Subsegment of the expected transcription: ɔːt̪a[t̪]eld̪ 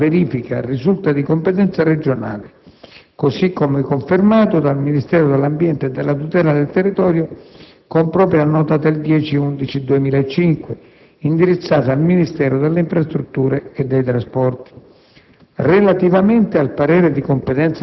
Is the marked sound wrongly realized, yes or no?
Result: yes